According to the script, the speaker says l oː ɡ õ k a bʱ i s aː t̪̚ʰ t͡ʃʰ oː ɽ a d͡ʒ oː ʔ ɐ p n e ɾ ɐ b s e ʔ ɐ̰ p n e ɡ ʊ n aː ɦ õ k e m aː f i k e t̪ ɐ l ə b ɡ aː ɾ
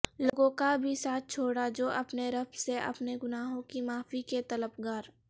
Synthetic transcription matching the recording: l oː ɡ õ k a bʱ i s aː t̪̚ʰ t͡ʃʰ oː ɽ a d͡ʒ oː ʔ ɐ p n e ɾ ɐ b s e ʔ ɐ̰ p n e ɡ ʊ n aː ɦ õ k i m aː f i k e t̪ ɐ l ə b ɡ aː ɾ